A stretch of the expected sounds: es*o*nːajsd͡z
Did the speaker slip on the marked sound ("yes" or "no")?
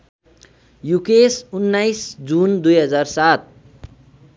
yes